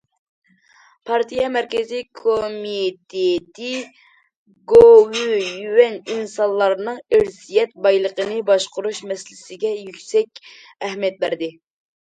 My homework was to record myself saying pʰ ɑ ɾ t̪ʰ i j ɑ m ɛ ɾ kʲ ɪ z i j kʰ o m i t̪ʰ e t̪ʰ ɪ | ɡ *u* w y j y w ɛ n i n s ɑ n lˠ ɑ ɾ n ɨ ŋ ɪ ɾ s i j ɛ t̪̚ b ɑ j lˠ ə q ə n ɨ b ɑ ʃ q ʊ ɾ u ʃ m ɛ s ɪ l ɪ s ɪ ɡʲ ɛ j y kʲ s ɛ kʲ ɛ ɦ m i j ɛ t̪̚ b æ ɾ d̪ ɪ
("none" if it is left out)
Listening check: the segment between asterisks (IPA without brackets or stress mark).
o